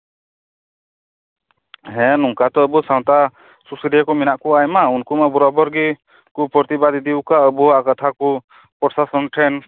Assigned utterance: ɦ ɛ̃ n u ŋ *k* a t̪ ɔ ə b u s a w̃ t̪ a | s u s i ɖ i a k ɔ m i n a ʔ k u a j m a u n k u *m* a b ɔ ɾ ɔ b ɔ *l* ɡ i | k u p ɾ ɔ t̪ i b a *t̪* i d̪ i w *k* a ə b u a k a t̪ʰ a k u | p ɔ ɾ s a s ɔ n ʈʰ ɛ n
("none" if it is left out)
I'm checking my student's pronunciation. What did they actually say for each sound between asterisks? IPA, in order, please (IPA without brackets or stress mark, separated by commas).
k, m, ɾ, d̪, k